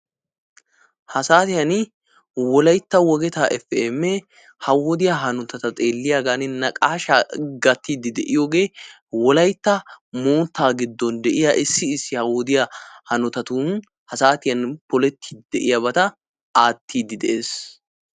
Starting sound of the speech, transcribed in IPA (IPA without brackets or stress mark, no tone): h